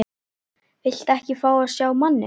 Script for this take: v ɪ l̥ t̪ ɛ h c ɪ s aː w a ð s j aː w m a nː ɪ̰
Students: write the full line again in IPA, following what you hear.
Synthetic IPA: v ɪ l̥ t̪ ɛ h c ɪ f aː w a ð s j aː w m a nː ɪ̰